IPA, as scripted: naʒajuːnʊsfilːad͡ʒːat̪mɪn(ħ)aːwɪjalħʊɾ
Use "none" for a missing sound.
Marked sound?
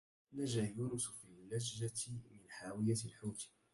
ħ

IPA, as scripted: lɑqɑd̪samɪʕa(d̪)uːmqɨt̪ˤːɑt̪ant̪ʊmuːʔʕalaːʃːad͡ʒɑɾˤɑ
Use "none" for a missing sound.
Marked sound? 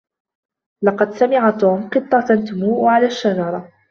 t̪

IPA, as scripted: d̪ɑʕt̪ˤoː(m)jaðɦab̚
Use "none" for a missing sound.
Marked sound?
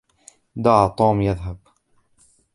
m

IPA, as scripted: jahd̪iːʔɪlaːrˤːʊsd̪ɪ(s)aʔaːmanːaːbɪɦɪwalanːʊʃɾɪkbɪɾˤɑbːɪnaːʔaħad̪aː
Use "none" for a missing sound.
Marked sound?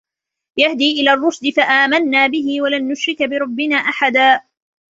f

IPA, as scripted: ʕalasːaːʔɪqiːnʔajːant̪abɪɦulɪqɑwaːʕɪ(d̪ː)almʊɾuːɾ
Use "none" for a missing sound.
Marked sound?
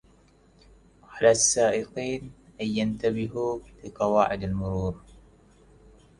d̪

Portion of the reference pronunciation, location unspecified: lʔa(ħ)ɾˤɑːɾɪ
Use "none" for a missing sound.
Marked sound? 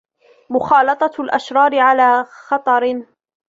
ʃ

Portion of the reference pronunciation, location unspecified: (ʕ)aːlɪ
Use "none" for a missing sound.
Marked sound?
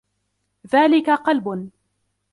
ð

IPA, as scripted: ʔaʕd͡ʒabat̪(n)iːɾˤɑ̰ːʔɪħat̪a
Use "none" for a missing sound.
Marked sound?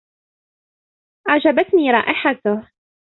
n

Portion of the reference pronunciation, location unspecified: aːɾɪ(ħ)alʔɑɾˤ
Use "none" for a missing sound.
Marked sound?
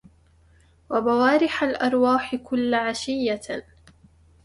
ħ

